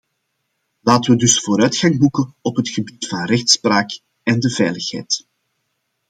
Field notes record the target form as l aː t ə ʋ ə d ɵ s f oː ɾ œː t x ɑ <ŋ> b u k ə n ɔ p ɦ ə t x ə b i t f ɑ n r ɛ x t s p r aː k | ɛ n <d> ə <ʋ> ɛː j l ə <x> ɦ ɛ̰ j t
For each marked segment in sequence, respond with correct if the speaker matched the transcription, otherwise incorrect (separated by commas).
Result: correct, correct, incorrect, correct